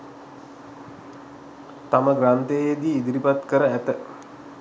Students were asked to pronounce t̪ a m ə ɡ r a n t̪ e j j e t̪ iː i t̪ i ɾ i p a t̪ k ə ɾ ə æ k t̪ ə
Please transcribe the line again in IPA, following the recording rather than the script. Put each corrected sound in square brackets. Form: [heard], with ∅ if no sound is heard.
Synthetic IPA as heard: t̪ a m ə ɡ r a n t̪ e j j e [d̪] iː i [d̪] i ɾ i p a t̪ k ə ɾ ə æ [∅] t̪ ə